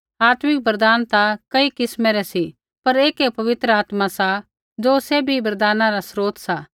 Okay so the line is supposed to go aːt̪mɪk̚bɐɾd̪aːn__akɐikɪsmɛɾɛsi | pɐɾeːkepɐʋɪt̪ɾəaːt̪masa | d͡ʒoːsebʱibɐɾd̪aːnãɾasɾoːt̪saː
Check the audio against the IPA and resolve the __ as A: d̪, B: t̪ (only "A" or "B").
B